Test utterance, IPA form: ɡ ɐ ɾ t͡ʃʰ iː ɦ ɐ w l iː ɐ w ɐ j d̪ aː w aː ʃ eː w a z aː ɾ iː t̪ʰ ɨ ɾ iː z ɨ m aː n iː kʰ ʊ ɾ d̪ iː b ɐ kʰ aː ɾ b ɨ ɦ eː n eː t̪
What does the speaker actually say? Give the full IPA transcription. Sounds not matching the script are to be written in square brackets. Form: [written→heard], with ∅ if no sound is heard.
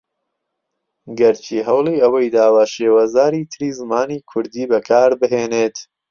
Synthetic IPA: ɡ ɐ ɾ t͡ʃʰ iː ɦ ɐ w l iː ɐ w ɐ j d̪ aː w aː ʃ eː w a z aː ɾ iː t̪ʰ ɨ ɾ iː z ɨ m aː n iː kʰ ʊ ɾ d̪ iː b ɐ kʰ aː ɾ b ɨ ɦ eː n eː t̪